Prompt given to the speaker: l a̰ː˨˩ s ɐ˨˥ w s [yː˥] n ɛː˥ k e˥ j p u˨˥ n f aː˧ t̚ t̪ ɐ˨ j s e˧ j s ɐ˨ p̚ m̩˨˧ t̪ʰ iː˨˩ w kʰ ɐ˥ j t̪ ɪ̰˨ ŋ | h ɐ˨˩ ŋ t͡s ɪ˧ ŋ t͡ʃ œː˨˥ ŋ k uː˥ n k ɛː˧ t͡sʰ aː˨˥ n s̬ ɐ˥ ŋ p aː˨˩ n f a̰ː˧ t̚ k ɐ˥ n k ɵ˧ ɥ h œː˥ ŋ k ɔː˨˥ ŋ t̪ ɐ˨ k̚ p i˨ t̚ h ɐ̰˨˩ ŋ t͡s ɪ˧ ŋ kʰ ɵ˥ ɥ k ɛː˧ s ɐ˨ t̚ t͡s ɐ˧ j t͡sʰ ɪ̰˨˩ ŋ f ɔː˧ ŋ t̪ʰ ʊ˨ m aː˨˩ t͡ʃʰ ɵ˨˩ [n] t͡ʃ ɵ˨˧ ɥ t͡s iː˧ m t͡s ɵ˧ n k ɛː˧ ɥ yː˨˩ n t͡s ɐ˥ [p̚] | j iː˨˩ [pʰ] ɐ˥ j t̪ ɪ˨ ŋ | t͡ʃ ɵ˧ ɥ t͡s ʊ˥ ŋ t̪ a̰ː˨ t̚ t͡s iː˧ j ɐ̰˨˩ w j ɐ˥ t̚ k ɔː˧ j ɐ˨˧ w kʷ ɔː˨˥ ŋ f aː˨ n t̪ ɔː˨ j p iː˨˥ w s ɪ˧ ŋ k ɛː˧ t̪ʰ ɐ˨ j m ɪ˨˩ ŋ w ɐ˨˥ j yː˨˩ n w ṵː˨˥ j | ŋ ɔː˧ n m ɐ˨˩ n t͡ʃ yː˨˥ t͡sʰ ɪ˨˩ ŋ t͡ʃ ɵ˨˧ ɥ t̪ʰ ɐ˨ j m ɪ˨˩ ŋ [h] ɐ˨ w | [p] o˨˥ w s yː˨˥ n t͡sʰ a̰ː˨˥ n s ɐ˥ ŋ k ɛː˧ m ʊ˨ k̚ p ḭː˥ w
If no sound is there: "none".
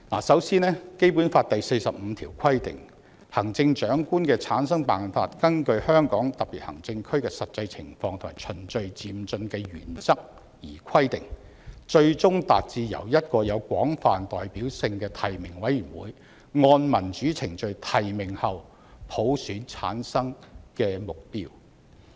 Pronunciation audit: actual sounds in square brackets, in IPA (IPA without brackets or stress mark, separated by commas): iː˥, n, k̚, kʰ, h, pʰ